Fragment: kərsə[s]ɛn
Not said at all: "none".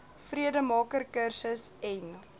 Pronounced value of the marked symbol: s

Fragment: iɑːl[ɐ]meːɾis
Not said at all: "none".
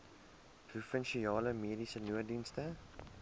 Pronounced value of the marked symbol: ə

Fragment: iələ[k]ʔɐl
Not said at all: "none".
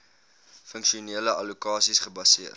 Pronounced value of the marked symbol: none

